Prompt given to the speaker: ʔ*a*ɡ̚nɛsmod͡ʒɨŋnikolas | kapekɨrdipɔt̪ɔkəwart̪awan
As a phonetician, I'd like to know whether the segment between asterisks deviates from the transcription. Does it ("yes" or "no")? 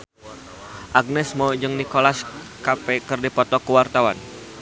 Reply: no